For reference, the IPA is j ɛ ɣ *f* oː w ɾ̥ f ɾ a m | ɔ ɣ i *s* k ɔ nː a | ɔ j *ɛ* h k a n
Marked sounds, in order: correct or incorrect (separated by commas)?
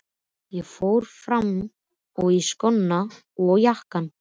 correct, correct, incorrect